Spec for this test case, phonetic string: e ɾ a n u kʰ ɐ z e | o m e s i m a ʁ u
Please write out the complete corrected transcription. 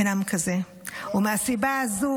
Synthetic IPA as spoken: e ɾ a m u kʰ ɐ z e | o m a s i b a z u